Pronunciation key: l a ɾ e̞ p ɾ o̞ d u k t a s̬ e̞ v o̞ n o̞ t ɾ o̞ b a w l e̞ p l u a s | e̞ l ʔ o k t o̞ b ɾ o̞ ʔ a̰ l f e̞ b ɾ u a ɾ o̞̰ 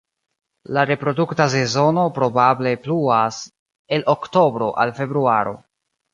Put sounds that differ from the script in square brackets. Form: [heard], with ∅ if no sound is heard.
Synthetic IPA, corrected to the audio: l a ɾ e̞ p ɾ o̞ d u k t a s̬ e̞ [z] o̞ n o̞ [p] ɾ o̞ b a [b] l e̞ p l u a s | e̞ l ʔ o k t o̞ b ɾ o̞ ʔ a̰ l f e̞ b ɾ u a ɾ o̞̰